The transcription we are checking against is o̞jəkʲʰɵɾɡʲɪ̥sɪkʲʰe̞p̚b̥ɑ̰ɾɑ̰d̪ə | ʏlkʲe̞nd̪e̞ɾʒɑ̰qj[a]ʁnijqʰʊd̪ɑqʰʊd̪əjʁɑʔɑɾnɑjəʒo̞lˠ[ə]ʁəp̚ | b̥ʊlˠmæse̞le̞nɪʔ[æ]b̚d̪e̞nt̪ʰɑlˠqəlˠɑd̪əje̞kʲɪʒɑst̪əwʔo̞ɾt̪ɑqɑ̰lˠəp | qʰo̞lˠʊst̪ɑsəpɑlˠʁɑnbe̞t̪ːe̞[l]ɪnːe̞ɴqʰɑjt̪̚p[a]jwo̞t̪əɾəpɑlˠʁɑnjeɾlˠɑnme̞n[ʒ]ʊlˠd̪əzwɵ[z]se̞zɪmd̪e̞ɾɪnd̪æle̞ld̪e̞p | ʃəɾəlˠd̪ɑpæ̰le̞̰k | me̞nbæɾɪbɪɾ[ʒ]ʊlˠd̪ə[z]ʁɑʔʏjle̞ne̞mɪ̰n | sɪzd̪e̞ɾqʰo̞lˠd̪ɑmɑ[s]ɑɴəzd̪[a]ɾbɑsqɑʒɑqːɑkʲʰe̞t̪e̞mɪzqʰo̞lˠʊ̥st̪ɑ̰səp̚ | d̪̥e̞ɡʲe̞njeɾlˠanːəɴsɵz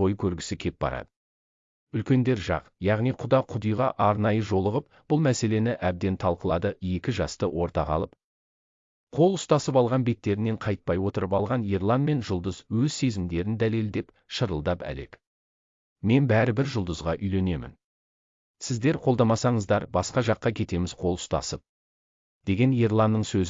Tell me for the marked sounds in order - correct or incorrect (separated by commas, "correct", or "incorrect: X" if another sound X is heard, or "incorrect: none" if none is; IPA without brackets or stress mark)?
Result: incorrect: ɑ, correct, correct, incorrect: ɾ, incorrect: ɑ, correct, correct, correct, correct, correct, incorrect: ɑ